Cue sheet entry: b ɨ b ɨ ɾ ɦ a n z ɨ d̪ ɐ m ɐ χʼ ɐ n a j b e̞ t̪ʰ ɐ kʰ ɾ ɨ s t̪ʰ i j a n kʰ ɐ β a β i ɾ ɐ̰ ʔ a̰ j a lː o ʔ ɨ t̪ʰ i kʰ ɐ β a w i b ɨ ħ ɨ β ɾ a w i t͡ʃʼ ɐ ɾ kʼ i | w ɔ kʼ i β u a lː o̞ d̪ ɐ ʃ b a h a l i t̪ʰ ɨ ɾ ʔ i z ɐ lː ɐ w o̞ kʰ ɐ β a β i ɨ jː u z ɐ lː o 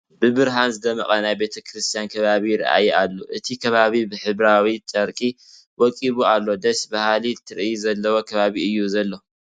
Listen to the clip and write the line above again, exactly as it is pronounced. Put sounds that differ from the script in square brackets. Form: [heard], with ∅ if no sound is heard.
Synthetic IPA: b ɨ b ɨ ɾ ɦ a n z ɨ d̪ ɐ m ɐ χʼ ɐ n a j b e̞ t̪ʰ ɐ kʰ ɾ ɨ s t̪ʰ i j a n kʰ ɐ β a β i ɾ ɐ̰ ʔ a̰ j a lː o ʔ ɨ t̪ʰ i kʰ ɐ β a [β] i b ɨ ħ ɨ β ɾ a w i t͡ʃʼ ɐ ɾ kʼ i | w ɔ kʼ i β u a lː o̞ d̪ ɐ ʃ b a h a l i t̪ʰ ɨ ɾ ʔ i z ɐ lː ɐ w o̞ kʰ ɐ β a β i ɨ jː u z ɐ lː o

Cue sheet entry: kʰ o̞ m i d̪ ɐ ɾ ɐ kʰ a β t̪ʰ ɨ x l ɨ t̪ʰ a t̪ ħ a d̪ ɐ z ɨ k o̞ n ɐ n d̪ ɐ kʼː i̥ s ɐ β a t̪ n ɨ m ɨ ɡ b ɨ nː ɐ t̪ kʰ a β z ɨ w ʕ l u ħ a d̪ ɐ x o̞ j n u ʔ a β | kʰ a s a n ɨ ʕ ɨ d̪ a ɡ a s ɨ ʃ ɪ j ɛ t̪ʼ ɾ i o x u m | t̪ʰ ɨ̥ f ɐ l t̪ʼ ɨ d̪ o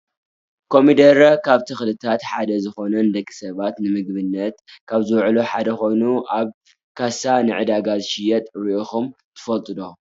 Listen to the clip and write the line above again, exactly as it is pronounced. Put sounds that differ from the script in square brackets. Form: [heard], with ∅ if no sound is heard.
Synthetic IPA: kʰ o̞ m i d̪ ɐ ɾ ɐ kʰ a β t̪ʰ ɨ x l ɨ t̪ʰ a t̪ ħ a d̪ ɐ z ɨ [x] o̞ n ɐ n d̪ ɐ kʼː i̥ s ɐ β a t̪ n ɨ m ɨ ɡ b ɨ nː ɐ t̪ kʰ a β z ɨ w ʕ l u ħ a d̪ ɐ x o̞ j n u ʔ a β | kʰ a s a n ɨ ʕ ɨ d̪ a ɡ a [z] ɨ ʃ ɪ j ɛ t̪ʼ ɾ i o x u m | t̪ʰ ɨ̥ f ɐ l t̪ʼ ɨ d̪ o

